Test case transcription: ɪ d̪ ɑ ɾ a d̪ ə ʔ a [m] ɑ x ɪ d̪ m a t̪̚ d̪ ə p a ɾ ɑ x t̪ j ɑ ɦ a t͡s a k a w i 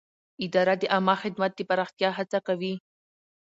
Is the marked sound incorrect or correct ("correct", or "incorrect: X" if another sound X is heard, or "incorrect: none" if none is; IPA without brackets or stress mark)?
correct